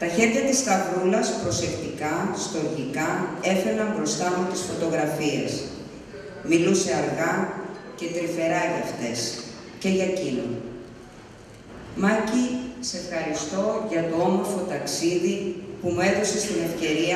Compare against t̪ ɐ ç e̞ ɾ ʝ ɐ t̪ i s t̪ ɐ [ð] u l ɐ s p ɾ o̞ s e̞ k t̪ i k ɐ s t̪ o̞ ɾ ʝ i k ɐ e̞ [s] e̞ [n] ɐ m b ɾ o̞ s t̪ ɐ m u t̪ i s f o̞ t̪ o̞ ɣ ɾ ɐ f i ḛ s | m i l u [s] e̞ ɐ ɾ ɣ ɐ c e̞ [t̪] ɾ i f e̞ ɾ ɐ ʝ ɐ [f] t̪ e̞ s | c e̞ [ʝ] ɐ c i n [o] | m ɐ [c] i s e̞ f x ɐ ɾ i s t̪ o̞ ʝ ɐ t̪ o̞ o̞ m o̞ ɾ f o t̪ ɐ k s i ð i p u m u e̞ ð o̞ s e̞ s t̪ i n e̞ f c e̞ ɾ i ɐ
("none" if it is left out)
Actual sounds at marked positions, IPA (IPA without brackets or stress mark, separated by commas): v, f, n, s, t̪, f, ʝ, o, c